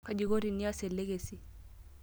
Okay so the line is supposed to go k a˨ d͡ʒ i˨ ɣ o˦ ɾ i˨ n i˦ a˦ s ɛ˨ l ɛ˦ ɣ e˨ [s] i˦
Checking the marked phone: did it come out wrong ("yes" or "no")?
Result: no